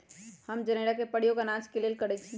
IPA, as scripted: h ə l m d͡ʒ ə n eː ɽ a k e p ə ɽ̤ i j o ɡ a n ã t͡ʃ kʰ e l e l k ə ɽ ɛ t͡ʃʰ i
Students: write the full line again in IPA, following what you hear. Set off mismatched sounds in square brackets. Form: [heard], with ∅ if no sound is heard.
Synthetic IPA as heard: h ə [∅] m d͡ʒ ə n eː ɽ a k e p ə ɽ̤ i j o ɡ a n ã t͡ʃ [k] e l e l k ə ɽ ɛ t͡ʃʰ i